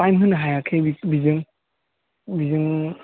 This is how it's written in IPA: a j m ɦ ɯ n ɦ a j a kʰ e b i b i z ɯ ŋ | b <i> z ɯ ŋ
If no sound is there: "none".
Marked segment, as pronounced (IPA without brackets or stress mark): i